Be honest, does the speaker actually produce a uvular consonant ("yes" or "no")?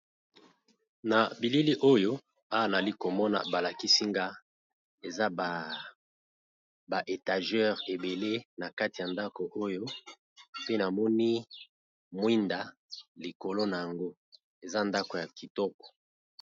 yes